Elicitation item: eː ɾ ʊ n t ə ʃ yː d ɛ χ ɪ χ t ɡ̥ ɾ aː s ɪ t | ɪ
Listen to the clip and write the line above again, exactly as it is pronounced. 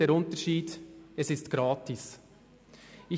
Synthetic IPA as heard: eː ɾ ʊ n t ə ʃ iː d ɛ s ɪ s t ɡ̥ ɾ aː t ɪ s | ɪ